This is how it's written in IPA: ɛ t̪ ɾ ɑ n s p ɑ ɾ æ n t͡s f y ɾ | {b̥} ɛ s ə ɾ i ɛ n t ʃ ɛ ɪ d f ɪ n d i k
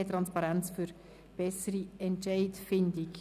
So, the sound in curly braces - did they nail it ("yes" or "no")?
yes